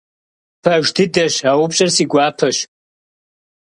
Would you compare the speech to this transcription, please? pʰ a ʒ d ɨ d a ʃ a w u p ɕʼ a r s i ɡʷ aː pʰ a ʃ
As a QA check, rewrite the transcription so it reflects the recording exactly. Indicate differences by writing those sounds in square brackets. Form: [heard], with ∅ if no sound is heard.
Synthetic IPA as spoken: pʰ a ʒ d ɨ d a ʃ a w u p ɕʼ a r s i ɡʷ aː pʰ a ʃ